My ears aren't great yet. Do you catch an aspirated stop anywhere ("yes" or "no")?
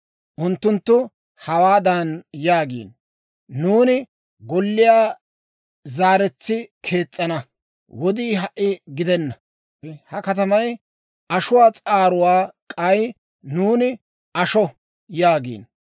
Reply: yes